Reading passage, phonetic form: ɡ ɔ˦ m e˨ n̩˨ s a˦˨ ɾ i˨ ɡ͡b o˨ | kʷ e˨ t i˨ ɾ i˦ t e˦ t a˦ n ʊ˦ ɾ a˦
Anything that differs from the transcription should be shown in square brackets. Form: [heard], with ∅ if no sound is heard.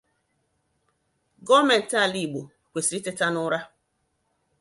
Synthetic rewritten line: ɡ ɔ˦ m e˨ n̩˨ [t] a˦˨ [l] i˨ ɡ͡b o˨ | kʷ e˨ [s] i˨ ɾ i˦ t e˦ t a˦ n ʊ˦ ɾ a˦